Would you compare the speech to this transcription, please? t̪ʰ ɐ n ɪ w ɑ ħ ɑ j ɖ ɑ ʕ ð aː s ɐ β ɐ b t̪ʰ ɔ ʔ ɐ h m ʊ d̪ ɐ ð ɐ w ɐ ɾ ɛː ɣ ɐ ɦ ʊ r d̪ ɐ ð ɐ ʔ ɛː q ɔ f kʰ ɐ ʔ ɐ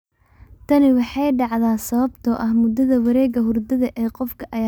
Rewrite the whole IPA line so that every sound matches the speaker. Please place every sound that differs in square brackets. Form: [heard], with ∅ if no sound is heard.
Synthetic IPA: t̪ʰ ɐ n ɪ w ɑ ħ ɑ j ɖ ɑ ʕ ð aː s ɐ β ɐ b t̪ʰ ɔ ʔ ɐ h m ʊ d̪ ɐ ð ɐ w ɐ ɾ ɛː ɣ ɐ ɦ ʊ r d̪ ɐ ð ɐ ʔ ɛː q ɔ f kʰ ɐ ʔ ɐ